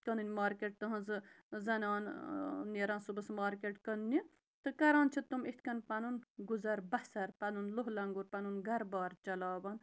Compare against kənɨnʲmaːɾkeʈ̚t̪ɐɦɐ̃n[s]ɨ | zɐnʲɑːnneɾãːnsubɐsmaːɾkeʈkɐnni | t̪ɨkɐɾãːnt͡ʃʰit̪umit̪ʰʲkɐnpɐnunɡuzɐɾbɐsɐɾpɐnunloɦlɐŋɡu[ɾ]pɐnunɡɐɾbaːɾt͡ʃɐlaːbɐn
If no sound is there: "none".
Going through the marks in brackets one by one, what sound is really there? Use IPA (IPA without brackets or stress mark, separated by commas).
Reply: z, ɾ